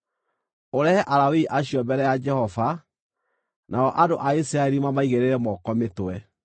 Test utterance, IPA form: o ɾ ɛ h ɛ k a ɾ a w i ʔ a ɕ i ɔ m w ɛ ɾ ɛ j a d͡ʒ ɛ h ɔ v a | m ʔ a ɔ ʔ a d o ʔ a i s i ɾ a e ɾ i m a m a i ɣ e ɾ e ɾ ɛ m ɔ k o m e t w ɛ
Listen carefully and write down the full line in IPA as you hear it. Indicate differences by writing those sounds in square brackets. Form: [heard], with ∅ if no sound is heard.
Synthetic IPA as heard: o ɾ ɛ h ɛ [ʔ] a ɾ a w i ʔ a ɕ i ɔ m [b] ɛ ɾ ɛ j a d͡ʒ ɛ h ɔ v a | [n] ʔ a ɔ ʔ a d o ʔ a i s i ɾ a e ɾ i m a m a i ɣ e ɾ e ɾ ɛ m ɔ k [ɔ] m e t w ɛ